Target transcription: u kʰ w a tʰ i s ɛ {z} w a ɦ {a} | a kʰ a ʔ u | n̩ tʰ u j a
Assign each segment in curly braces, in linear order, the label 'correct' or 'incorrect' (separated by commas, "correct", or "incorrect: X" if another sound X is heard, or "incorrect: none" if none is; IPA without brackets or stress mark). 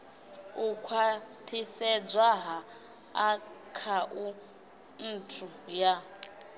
incorrect: d͡z, correct